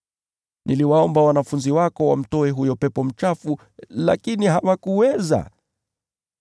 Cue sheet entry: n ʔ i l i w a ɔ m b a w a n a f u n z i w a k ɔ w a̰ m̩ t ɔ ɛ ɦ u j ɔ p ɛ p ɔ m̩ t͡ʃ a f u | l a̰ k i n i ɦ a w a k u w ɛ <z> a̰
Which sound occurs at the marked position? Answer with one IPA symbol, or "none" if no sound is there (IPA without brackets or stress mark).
z